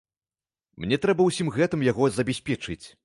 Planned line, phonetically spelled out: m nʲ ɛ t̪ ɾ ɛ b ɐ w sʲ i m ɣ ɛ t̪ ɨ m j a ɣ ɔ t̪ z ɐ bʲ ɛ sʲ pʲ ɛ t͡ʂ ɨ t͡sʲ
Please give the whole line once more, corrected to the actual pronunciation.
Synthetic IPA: m nʲ ɛ t̪ ɾ ɛ b ɐ w sʲ i m ɣ ɛ t̪ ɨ m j a ɣ ɔ z ɐ bʲ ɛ sʲ pʲ ɛ t͡ʂ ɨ t͡sʲ